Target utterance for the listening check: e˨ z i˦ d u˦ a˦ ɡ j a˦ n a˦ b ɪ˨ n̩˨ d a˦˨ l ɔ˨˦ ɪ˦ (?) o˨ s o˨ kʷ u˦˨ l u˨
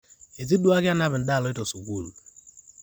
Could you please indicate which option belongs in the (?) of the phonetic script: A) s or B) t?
B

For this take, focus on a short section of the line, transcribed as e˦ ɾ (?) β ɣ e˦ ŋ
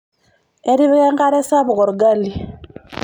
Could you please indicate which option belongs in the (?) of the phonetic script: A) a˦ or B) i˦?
B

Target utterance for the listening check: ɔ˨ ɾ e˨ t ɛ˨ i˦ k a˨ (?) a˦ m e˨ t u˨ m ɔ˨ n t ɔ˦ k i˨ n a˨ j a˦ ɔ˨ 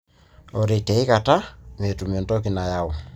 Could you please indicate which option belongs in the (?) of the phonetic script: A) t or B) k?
A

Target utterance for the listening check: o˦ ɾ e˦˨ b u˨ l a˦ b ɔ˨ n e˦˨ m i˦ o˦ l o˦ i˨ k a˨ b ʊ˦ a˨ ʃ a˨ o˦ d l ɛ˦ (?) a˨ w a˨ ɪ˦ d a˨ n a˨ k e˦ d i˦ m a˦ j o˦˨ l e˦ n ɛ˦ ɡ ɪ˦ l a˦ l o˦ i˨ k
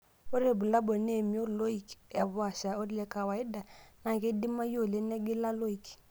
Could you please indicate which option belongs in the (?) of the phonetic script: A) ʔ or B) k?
B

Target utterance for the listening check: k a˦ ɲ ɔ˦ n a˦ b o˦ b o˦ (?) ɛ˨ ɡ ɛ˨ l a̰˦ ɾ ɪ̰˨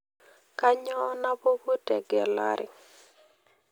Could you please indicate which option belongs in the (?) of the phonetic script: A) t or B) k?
A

